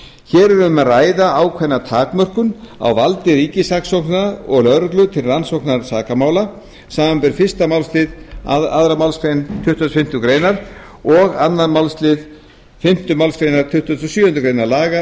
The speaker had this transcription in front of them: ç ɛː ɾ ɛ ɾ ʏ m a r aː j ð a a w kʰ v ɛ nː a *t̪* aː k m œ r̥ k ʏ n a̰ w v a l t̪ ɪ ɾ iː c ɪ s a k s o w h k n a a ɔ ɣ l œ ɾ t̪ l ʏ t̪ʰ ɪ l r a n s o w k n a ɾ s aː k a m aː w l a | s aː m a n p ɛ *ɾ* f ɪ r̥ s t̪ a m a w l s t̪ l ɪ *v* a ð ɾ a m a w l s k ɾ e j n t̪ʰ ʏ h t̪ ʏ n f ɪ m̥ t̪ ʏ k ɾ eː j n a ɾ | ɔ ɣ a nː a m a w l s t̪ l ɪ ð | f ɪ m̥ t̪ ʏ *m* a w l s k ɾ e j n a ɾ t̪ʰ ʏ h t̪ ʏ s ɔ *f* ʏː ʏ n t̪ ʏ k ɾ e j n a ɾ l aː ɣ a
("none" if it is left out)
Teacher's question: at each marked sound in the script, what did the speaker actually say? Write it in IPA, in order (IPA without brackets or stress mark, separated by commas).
t̪ʰ, ɾ, ð, m, s